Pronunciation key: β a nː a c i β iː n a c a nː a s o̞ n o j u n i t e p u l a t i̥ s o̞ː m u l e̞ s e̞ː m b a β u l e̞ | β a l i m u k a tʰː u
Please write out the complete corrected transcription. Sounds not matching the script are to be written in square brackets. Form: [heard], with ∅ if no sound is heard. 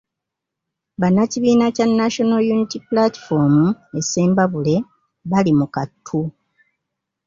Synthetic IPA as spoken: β a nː a c i β iː n a c a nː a [ʃ] o̞ n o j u n i t [i] p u l a t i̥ [f] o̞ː m u [∅] e̞ s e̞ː m b a β u l e̞ | β a l i m u k a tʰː u